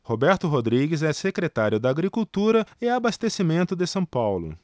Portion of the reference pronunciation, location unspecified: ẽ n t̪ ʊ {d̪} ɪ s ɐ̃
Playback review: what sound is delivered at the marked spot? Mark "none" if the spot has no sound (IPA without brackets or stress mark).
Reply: d̪